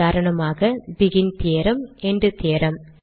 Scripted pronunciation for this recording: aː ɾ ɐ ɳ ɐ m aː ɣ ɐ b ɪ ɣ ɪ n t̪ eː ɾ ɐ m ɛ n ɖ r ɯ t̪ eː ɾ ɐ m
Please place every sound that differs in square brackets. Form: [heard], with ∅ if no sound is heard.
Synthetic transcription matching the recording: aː ɾ ɐ ɳ ɐ m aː ɣ ɐ b ɪ ɣ ɪ n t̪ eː ɾ ɐ m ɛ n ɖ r ɯ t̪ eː ɾ ɐ m